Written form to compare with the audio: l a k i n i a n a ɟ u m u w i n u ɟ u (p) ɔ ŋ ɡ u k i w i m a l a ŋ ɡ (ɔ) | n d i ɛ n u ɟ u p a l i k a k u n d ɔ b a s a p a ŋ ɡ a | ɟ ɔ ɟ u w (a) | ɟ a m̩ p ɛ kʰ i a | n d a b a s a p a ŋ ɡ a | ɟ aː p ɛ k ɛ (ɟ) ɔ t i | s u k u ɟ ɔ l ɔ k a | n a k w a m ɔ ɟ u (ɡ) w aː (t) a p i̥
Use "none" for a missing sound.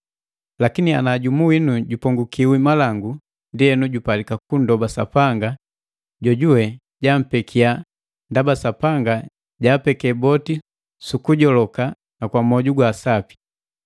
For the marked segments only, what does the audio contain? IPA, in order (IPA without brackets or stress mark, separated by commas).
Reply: p, u, ɛ, b, ɡ, s